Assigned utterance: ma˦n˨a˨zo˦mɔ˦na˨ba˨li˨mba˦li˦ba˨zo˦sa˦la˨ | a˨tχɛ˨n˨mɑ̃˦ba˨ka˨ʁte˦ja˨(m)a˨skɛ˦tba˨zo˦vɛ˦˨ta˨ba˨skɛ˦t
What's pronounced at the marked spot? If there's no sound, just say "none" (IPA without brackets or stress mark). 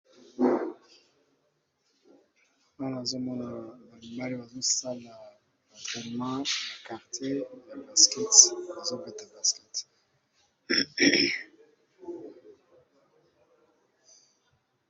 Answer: b